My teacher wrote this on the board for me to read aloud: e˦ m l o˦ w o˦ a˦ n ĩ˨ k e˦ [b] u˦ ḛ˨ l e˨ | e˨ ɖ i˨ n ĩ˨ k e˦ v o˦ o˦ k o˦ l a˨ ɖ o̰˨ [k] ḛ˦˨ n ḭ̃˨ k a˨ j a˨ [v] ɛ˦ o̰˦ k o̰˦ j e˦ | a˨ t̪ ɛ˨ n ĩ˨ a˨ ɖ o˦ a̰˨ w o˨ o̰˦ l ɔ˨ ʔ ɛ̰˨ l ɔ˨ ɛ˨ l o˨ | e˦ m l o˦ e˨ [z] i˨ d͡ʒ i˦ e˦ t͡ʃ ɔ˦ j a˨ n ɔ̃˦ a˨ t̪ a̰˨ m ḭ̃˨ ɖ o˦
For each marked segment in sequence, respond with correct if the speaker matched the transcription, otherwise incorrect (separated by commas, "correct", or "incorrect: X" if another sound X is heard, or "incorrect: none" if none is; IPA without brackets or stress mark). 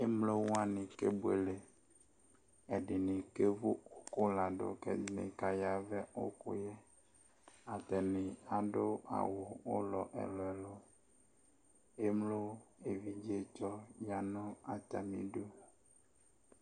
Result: correct, correct, correct, incorrect: v